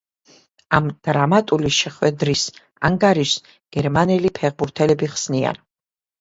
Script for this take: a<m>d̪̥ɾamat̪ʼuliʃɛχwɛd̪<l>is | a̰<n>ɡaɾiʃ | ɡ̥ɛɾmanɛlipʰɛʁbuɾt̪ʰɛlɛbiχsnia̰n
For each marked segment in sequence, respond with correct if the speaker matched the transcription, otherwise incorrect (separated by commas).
correct, incorrect, incorrect